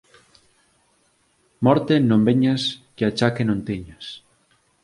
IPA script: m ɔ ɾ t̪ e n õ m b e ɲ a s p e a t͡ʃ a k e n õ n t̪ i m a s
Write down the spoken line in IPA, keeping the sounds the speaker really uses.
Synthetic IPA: m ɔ ɾ t̪ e n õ m b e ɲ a s k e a t͡ʃ a k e n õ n t̪ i ɲ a s